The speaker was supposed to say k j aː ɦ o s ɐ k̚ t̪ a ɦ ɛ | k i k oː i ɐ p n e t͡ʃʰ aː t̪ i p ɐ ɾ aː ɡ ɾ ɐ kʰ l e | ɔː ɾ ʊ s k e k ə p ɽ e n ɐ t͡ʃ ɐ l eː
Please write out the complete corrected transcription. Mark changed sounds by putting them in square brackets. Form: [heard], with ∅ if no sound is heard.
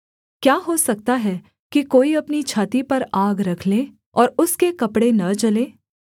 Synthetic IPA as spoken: k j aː ɦ o s ɐ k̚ t̪ a ɦ ɛ | k i k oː i ɐ p n [i] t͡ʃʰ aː t̪ i p ɐ ɾ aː ɡ ɾ ɐ kʰ l e | ɔː ɾ ʊ s k e k [ɐ] p ɽ e n ɐ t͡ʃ ɐ l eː